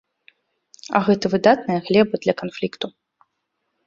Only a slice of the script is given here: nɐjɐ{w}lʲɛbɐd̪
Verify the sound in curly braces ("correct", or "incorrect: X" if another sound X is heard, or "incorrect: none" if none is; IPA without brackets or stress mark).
incorrect: ɣ